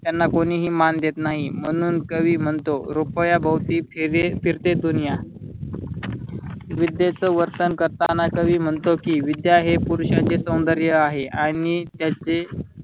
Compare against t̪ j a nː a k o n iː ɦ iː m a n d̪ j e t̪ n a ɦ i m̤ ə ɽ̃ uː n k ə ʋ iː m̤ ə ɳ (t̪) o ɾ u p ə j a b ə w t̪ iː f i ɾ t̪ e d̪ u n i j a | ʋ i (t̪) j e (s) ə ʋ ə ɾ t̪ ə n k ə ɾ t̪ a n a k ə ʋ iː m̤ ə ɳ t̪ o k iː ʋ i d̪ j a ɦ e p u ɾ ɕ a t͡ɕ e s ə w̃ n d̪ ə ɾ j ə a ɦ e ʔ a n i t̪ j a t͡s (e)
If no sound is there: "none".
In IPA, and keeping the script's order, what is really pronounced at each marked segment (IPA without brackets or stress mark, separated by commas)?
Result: t̪, d̪, t͡s, e